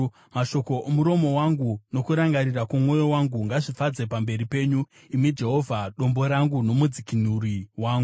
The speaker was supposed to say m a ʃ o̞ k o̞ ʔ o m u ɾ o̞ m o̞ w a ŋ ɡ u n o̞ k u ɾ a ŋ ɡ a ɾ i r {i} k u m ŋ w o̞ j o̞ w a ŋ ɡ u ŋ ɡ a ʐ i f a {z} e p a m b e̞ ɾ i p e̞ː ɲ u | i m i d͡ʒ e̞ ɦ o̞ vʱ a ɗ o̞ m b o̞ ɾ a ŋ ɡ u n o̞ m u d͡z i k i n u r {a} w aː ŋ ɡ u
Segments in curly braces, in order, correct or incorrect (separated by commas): incorrect, incorrect, incorrect